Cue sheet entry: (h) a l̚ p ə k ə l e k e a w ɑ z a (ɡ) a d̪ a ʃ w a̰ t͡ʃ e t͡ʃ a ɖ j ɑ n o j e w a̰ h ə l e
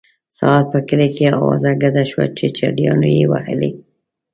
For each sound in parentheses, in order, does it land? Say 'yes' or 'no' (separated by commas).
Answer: no, yes